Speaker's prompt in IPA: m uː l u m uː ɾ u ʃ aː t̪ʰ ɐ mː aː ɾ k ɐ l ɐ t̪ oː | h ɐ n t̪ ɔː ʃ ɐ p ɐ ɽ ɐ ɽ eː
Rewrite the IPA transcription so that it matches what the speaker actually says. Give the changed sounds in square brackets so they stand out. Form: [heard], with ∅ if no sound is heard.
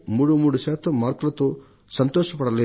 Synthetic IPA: m uː [ɽ] u m uː [ɽ] u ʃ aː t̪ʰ ɐ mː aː ɾ k ɐ l ɐ t̪ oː | [s] ɐ n t̪ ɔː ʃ ɐ p ɐ ɽ ɐ [l] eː